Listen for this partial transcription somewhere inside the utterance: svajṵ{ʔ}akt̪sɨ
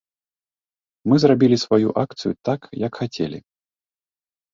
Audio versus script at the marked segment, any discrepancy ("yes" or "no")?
no